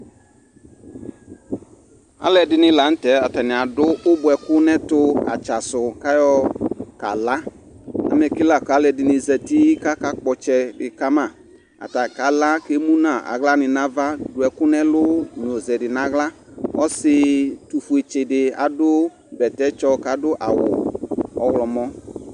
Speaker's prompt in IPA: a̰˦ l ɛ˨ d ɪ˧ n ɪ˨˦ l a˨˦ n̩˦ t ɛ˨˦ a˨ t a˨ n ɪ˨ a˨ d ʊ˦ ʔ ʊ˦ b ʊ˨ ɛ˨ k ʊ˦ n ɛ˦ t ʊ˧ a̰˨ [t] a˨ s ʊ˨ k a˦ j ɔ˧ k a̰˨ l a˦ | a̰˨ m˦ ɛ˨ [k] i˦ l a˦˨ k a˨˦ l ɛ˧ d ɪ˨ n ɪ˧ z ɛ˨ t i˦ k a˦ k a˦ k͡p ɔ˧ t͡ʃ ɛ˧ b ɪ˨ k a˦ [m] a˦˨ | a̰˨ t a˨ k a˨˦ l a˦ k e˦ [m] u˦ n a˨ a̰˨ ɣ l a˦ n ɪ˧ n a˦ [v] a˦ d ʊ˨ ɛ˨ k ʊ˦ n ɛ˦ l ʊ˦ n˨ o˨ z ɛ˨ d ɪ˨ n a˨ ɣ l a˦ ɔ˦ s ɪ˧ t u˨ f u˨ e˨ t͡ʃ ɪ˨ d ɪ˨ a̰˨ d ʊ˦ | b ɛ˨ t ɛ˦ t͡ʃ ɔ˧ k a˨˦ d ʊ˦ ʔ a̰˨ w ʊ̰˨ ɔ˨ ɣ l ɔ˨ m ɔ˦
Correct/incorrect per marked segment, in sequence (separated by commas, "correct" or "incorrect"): incorrect, correct, correct, correct, correct